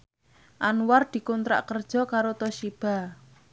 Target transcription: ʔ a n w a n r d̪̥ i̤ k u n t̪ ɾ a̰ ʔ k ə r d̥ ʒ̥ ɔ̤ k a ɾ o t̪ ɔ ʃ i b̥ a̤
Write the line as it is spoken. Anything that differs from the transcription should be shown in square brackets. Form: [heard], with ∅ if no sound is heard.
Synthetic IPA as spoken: ʔ a n w a [∅] r d̪̥ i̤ k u n t̪ ɾ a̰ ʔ k ə r d̥ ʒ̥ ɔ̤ k a ɾ o t̪ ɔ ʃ i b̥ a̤